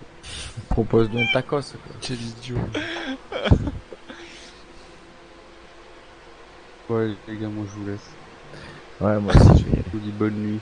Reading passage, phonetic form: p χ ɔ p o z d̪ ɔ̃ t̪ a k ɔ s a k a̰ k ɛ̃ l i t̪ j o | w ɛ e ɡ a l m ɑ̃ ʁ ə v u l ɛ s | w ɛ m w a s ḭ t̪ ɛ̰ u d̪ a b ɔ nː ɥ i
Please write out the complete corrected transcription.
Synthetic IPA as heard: p χ ɔ p o z d̪ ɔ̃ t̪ a k ɔ s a k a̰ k ɛ l i d̪ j o | w ɛ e ɡ a l m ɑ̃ ʒ ə v u l ɛ s | w ɛ m w a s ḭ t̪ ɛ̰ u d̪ i b ɔ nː ɥ i